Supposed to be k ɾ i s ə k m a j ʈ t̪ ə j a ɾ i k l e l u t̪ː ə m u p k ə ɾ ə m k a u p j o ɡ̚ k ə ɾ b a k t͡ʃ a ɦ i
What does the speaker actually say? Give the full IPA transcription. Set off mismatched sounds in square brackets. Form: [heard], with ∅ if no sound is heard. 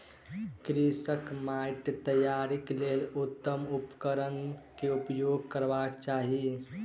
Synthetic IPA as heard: k ɾ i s ə k m a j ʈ t̪ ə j a ɾ i k l e l u t̪ː ə m u p k ə ɾ ə [n] k [e] u p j o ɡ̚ k ə ɾ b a k t͡ʃ a ɦ i